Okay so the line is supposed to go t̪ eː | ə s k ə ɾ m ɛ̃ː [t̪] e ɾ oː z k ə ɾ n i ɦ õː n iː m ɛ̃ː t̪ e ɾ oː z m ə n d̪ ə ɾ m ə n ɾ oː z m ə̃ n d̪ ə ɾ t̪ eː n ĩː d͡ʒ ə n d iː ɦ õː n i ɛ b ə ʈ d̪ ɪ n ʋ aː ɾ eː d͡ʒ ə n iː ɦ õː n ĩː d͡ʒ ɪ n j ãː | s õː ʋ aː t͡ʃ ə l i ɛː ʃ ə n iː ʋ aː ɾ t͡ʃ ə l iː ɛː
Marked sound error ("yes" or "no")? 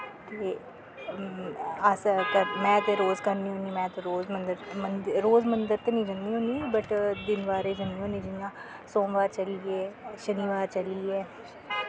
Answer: no